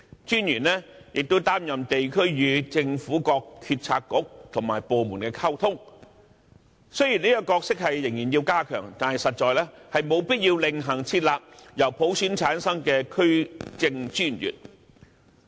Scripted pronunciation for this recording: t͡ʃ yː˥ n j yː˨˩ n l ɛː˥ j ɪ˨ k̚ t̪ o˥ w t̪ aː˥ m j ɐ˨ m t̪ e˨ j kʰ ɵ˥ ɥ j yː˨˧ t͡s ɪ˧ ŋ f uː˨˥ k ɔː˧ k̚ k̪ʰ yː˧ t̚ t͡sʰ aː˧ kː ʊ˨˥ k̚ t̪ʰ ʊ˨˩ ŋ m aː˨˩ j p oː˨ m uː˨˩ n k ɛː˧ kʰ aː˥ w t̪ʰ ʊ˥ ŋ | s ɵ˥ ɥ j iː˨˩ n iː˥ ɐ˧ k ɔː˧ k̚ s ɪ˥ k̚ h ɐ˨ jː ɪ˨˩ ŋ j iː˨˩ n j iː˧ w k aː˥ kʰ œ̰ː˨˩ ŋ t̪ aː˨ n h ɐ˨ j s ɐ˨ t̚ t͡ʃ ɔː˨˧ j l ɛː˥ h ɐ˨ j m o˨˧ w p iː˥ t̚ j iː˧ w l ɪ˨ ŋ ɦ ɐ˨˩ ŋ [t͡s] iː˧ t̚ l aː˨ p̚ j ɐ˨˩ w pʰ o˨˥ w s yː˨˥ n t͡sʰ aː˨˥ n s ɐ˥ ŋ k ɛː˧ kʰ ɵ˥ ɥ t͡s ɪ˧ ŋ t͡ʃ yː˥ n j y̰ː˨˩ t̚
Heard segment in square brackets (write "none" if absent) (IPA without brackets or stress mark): t͡sʰ